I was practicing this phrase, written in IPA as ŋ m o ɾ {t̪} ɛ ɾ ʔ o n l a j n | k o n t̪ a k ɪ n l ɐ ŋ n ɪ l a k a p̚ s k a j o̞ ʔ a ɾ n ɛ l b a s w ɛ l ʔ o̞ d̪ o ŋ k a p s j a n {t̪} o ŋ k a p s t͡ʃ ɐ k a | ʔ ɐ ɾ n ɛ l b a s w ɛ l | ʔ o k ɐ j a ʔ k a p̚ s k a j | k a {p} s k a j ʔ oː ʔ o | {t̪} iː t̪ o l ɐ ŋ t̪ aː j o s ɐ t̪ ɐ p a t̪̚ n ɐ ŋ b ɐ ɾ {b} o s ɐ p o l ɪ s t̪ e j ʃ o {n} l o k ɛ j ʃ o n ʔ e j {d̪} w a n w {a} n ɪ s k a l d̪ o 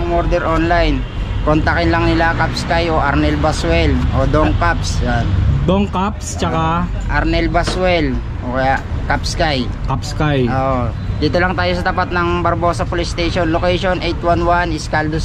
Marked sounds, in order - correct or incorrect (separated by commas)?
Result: incorrect, incorrect, correct, incorrect, correct, correct, incorrect, correct